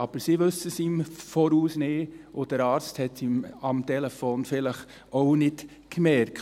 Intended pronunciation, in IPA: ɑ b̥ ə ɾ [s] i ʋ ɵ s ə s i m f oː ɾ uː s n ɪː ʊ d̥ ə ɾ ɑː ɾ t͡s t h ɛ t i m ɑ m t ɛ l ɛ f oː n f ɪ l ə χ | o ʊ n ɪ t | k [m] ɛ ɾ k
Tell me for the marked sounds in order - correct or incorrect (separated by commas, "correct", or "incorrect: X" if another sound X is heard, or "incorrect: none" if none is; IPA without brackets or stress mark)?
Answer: correct, correct